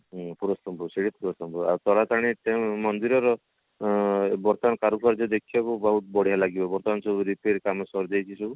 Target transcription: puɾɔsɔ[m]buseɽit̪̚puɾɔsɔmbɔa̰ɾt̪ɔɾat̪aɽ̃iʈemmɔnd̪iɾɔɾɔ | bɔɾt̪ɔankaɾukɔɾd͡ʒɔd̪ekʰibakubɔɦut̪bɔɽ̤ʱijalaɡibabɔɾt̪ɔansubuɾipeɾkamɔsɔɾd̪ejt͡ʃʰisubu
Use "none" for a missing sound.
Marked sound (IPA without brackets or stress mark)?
m